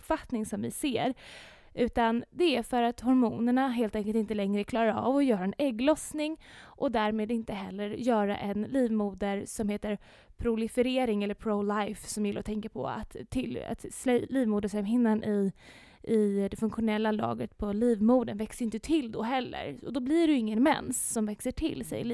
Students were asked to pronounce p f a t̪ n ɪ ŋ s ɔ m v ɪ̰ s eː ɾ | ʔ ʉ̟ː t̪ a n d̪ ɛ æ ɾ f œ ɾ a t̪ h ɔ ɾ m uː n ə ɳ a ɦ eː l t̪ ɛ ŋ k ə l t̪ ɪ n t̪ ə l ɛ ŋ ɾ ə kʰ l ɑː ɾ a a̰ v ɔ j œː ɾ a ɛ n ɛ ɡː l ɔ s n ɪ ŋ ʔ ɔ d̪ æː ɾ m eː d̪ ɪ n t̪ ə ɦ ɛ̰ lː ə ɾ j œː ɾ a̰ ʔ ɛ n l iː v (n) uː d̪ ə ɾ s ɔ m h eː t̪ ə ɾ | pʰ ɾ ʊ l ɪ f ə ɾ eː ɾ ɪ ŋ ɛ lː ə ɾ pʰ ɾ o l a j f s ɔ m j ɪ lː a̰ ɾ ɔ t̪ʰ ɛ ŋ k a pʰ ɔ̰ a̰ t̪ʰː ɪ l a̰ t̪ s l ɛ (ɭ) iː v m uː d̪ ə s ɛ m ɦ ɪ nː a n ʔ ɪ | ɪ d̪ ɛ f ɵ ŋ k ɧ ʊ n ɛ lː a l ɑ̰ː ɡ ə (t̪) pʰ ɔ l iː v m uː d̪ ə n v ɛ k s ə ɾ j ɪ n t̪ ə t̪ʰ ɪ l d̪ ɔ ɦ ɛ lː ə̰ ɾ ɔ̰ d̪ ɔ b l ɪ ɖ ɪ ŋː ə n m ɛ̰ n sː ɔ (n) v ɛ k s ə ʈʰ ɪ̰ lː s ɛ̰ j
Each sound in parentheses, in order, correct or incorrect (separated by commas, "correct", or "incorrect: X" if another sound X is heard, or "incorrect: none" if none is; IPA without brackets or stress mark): incorrect: m, incorrect: l, correct, incorrect: m